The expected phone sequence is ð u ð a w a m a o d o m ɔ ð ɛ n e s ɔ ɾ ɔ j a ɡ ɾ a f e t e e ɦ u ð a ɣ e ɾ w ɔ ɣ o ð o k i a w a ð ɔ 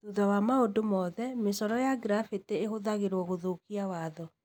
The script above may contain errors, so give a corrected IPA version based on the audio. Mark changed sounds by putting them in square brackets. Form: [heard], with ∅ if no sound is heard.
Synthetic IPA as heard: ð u ð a w a m a o d o m ɔ ð ɛ [m] e s ɔ ɾ ɔ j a ɡ ɾ a f e t e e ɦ [o] ð a ɣ e ɾ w ɔ ɣ o ð o k i a w a ð ɔ